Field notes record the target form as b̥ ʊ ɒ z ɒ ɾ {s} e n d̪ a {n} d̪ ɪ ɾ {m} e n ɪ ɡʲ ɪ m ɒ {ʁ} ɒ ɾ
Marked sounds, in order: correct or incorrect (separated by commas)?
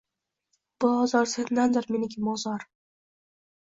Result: correct, correct, correct, incorrect